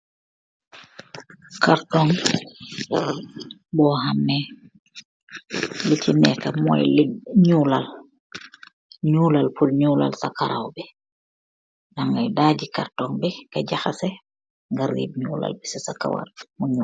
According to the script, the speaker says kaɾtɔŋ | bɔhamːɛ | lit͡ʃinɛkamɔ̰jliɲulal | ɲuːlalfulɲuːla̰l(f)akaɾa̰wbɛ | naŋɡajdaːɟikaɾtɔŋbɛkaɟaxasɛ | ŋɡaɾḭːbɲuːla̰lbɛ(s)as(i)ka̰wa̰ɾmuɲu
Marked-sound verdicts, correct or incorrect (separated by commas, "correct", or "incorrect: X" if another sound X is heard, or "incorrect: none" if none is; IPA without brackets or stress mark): incorrect: s, correct, incorrect: a